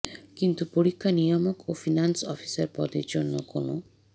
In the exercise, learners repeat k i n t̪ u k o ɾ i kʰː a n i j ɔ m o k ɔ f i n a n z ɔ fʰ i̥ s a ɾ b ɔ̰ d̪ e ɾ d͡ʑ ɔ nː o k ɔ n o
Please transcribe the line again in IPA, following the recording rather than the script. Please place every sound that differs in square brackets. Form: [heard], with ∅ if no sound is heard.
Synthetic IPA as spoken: k i n t̪ u [p] o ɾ i kʰː a n i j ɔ m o k [o] f i n a n [s] ɔ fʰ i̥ s a ɾ [p] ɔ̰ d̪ e ɾ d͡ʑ [o] nː o k [o] n o